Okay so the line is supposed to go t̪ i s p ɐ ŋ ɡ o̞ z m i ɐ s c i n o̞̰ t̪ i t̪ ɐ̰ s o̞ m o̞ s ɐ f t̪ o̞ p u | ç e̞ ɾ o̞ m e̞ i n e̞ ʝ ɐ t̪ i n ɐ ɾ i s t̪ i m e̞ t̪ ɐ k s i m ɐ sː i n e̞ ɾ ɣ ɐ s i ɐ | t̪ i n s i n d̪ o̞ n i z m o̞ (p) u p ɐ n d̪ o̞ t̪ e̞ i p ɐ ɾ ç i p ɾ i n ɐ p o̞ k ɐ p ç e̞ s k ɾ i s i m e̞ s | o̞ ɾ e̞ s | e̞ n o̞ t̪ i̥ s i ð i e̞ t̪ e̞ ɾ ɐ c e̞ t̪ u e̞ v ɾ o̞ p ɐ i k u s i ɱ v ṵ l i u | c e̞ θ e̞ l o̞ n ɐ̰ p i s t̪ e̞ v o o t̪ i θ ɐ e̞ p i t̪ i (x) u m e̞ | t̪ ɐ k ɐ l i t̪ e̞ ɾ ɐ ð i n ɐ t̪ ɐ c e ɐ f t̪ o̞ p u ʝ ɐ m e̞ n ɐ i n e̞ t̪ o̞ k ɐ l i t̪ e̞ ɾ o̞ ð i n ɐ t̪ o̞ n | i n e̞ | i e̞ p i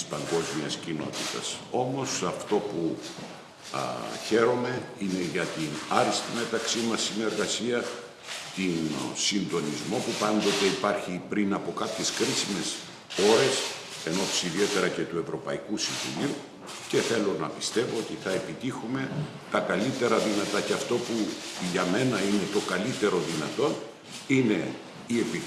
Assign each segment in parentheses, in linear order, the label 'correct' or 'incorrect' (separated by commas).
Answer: correct, correct